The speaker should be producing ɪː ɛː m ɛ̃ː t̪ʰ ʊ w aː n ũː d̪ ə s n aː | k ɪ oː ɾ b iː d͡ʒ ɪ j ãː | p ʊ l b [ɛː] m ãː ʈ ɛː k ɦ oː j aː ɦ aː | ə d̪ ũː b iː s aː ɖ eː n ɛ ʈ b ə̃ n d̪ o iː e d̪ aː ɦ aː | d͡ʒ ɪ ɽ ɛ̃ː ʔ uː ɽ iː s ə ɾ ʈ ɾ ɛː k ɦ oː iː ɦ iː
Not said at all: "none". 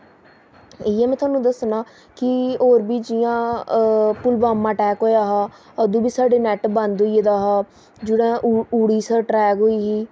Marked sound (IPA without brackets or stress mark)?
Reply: aː